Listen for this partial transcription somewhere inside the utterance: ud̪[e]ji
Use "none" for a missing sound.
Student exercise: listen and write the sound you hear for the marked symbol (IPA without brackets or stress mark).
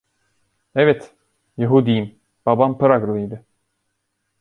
i